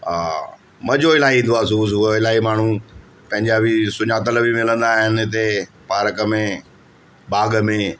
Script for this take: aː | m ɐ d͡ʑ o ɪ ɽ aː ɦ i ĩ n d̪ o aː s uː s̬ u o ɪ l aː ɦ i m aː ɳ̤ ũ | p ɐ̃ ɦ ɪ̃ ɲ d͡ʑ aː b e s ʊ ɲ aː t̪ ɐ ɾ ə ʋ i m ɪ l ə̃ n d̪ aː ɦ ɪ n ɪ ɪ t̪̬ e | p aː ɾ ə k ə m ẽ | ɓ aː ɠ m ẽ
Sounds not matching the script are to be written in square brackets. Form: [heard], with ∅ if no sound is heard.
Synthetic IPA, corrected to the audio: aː | m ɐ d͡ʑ o ɪ [l] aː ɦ i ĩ n d̪ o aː s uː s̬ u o ɪ l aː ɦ i m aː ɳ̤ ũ | p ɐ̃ ɦ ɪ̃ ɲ d͡ʑ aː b [i] s ʊ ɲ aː t̪ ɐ [l] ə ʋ i m ɪ l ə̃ n d̪ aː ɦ ɪ n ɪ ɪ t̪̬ e | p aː ɾ ə k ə m ẽ | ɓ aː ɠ m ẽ